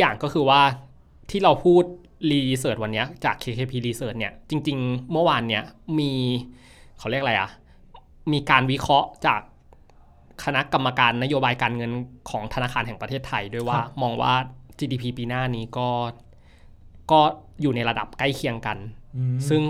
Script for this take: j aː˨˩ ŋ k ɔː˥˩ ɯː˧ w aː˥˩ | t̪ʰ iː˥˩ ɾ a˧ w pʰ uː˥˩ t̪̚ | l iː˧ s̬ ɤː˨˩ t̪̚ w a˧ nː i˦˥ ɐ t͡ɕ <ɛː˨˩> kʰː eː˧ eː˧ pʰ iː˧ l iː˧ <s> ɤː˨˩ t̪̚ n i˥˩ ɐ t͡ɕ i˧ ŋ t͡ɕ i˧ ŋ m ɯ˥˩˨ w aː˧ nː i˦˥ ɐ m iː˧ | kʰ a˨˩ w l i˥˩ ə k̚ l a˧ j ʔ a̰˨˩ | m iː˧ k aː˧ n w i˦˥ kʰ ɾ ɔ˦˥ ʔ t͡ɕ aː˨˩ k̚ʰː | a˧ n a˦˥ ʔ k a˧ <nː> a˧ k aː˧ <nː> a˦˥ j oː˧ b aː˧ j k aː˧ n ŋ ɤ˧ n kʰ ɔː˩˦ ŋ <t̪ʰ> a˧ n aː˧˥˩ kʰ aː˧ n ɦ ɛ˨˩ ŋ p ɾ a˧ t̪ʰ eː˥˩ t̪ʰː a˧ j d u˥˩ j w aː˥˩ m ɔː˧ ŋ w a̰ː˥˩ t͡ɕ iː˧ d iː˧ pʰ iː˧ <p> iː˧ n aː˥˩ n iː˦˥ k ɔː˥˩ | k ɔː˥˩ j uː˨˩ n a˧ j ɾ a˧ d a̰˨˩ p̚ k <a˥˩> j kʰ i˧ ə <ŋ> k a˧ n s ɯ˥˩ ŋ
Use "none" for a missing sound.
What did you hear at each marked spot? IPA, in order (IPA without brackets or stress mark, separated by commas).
aː˨˩, s, mː, nː, t̪ʰ, p, a˥˩, ŋ